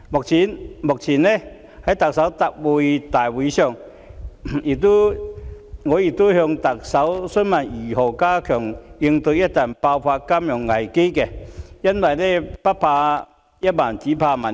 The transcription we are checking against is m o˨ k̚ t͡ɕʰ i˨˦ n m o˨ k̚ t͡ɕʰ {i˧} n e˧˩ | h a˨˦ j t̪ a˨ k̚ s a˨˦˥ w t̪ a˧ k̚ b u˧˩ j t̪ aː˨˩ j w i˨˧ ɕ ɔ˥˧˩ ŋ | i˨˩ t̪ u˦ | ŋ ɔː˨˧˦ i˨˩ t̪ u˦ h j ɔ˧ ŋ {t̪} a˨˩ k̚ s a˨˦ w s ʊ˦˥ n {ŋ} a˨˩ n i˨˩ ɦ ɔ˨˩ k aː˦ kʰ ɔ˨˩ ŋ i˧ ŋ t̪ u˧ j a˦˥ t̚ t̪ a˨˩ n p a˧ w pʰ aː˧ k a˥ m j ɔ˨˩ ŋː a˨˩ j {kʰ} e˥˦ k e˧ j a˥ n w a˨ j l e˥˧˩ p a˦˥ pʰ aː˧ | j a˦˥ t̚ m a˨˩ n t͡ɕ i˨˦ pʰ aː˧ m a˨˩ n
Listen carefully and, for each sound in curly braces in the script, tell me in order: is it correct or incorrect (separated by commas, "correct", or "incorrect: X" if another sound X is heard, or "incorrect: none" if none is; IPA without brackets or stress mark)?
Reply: incorrect: i˨˩, correct, incorrect: m, incorrect: k